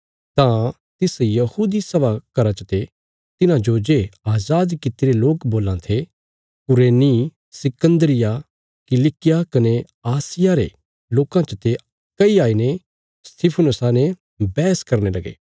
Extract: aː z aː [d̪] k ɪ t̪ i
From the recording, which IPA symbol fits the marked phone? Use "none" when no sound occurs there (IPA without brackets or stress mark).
d̪